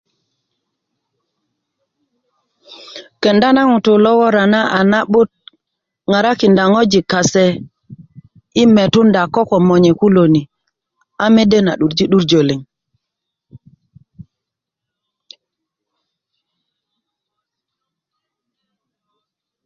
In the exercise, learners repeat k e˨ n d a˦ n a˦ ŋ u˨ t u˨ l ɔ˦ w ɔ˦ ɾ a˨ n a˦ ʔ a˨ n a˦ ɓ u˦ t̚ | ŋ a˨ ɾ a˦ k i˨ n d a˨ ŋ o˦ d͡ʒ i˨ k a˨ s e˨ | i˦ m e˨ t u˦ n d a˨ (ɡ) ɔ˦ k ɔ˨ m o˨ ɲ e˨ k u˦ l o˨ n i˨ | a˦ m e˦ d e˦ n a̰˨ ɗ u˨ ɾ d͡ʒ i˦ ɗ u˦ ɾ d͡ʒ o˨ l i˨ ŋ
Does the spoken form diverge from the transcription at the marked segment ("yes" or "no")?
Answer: yes